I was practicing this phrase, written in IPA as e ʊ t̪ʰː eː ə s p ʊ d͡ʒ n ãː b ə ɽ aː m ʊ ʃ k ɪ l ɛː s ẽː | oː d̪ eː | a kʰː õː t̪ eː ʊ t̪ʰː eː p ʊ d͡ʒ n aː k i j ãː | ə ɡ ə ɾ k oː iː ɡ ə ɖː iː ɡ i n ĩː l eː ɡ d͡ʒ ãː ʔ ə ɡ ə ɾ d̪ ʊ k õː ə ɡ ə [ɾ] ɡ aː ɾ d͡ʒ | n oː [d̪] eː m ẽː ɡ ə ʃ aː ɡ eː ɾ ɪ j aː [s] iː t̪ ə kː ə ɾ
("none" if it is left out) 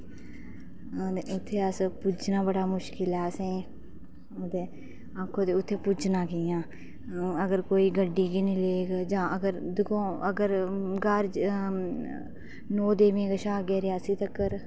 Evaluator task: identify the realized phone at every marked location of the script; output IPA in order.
ɾ, d̪, s

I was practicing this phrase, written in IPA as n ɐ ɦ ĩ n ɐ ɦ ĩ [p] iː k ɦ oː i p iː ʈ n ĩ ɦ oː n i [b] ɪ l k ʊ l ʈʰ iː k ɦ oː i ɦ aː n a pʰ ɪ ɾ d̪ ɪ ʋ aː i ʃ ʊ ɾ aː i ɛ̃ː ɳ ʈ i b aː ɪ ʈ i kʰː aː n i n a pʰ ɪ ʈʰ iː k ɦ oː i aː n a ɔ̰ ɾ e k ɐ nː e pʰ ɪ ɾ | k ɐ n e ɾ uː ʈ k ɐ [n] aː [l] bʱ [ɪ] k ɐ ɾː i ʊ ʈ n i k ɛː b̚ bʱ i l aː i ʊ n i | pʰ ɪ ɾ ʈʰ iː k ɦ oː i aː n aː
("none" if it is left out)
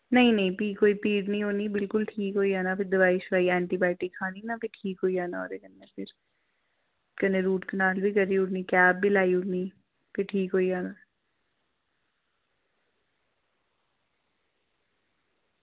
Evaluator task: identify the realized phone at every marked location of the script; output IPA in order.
p, b, n, l, i

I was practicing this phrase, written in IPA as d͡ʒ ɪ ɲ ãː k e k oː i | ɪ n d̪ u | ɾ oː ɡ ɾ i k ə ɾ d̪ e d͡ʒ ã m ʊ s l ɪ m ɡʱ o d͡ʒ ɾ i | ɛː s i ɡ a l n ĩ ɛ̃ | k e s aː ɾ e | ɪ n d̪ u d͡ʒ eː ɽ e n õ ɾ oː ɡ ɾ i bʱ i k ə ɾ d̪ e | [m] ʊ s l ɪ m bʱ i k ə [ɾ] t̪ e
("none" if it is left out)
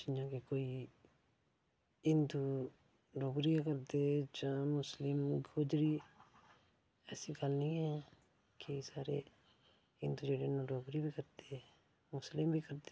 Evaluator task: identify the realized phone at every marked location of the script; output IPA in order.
m, ɾ

